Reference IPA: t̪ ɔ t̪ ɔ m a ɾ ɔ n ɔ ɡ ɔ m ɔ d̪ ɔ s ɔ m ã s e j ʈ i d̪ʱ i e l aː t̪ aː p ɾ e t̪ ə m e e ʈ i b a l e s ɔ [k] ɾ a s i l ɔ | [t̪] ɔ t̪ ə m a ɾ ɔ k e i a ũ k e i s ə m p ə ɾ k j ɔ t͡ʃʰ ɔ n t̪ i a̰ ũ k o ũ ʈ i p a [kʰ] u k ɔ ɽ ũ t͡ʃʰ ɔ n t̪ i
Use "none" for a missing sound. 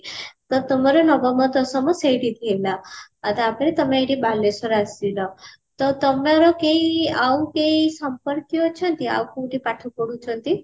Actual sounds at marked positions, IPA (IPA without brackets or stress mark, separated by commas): none, t̪, ʈʰ